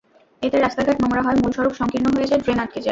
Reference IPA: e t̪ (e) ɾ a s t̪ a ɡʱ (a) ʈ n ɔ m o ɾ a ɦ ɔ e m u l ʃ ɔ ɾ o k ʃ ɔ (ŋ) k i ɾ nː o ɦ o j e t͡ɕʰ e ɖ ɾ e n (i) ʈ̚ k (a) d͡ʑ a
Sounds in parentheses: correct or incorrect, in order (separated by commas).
correct, correct, correct, incorrect, incorrect